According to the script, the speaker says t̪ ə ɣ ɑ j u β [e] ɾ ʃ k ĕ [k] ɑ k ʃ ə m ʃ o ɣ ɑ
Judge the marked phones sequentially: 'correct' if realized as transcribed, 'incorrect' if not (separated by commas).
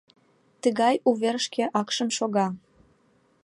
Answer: correct, incorrect